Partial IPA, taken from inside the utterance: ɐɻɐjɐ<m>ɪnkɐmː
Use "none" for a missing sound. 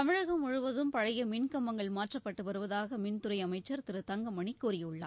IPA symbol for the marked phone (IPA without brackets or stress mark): m